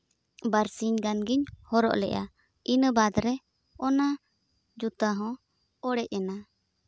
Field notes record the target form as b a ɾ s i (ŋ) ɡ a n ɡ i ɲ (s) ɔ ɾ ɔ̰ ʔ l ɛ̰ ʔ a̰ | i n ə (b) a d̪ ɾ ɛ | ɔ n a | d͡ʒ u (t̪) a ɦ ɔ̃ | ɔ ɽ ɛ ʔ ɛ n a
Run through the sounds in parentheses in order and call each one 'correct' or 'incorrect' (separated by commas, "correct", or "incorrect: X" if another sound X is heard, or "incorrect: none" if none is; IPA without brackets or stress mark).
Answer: incorrect: ɲ, incorrect: h, correct, correct